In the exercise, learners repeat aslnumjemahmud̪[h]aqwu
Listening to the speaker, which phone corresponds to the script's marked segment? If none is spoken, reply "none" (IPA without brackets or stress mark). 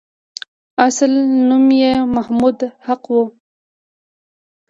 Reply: h